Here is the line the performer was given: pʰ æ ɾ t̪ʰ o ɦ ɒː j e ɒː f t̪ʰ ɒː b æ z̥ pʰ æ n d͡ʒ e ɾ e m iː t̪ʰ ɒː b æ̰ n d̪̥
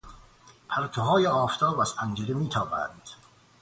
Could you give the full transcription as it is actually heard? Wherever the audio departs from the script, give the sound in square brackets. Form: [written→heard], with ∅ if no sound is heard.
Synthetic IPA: pʰ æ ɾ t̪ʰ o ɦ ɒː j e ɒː f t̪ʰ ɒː b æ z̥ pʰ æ n d͡ʒ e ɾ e m iː t̪ʰ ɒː b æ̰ n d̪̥